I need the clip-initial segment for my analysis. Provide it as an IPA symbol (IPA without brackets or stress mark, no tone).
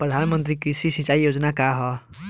p